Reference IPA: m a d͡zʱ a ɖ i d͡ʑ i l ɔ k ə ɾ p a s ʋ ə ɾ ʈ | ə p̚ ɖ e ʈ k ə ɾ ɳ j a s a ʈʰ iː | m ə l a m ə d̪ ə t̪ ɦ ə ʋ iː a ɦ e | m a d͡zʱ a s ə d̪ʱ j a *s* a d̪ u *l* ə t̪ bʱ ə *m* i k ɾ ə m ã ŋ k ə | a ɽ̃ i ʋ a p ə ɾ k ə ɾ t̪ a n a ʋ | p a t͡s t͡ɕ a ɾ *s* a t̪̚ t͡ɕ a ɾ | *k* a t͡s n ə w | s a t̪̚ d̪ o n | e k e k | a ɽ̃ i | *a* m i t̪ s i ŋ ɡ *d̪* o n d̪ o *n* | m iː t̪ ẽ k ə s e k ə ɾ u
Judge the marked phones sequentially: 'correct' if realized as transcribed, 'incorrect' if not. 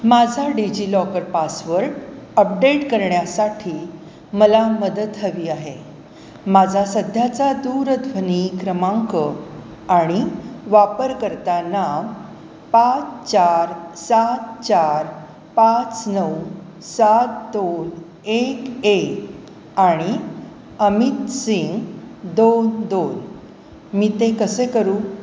incorrect: t͡s, incorrect: ɾ, incorrect: n, correct, incorrect: p, incorrect: ə, correct, correct

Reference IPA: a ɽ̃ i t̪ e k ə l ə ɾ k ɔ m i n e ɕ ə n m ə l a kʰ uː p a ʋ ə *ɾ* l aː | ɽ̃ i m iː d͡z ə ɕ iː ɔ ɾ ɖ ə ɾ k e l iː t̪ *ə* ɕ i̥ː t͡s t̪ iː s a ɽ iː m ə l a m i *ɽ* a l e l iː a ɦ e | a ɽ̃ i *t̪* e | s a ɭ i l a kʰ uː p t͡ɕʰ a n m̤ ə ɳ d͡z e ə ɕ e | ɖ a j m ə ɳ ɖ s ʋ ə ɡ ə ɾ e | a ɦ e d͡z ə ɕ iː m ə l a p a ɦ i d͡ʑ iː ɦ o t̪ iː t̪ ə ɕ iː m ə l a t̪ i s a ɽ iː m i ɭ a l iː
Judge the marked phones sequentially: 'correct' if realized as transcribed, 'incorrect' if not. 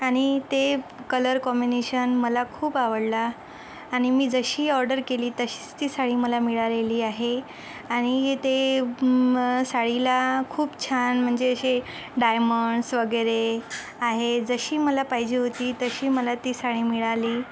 incorrect: ɽ, correct, incorrect: ɭ, correct

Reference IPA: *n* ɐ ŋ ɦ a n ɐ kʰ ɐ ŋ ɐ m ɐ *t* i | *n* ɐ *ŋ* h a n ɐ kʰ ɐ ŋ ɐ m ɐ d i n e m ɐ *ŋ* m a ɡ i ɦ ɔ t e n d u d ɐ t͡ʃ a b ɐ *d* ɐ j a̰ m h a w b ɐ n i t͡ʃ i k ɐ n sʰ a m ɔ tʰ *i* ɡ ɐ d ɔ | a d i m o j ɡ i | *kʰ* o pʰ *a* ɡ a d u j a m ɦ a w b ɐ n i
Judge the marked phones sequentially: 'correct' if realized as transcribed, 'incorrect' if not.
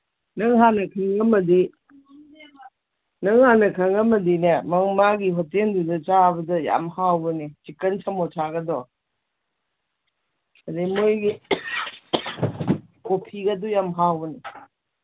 correct, incorrect: d, correct, correct, correct, correct, incorrect: a, incorrect: k, incorrect: i

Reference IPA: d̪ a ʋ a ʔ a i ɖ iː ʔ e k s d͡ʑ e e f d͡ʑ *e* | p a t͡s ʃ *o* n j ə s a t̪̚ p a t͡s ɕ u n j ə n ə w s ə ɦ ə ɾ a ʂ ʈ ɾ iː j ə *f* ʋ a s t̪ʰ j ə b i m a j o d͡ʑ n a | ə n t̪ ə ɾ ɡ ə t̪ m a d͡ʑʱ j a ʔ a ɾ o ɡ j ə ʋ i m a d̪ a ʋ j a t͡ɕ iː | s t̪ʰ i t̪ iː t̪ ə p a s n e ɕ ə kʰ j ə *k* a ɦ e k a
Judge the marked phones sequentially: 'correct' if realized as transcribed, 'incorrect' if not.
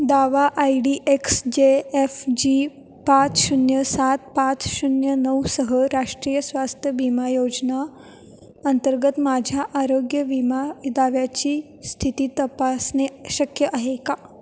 incorrect: i, incorrect: u, incorrect: s, incorrect: ʔ

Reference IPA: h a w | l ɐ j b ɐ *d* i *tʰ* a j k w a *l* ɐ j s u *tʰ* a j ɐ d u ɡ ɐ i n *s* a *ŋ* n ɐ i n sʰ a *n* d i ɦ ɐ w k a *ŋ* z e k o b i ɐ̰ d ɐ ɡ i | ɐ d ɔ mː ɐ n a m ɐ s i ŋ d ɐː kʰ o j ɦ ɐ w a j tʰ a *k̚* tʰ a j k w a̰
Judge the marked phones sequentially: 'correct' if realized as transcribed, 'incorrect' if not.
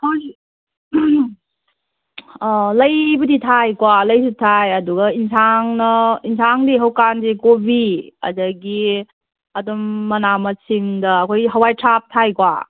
correct, correct, correct, correct, correct, correct, incorrect: ŋ, incorrect: n, incorrect: p̚

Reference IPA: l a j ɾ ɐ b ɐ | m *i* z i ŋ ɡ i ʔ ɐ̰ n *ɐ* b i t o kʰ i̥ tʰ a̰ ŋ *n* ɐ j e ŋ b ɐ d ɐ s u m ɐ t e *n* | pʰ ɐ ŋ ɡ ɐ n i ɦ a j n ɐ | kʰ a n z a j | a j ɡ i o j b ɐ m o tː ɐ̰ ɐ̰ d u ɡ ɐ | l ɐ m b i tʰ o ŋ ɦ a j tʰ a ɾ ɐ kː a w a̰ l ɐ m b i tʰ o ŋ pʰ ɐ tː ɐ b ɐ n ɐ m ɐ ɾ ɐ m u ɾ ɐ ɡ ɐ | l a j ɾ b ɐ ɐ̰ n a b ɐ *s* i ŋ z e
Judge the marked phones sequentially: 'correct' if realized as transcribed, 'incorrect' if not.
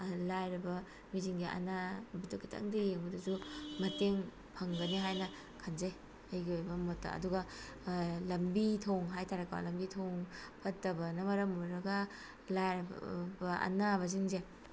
correct, incorrect: a, incorrect: d, incorrect: ŋ, incorrect: z

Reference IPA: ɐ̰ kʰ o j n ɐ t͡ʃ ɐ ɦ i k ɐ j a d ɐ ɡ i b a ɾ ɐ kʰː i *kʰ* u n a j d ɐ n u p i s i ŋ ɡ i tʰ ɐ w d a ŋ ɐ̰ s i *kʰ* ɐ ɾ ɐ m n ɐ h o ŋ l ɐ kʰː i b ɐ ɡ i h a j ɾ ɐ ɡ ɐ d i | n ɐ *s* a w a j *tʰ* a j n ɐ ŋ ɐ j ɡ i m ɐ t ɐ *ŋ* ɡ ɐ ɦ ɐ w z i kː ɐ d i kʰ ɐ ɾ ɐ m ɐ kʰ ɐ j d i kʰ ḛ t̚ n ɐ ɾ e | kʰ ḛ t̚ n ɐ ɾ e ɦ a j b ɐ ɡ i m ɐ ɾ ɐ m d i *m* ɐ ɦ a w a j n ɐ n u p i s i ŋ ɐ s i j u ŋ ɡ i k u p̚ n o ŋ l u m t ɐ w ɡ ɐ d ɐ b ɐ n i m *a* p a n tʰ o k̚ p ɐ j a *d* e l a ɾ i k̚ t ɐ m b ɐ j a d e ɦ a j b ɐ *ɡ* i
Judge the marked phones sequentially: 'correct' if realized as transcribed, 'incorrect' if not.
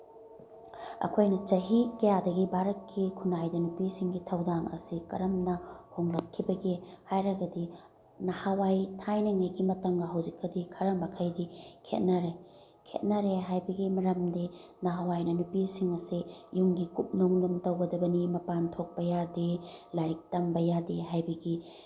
correct, incorrect: k, incorrect: h, correct, correct, incorrect: n, incorrect: ɐ, correct, correct

